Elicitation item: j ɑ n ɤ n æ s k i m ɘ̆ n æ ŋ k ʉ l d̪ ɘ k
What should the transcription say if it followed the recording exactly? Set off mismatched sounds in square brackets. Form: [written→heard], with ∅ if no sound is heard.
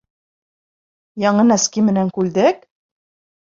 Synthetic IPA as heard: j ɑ [n→ɴ] ɤ n æ s k i m ɘ̆ n æ ŋ k ʉ l d̪ ɘ k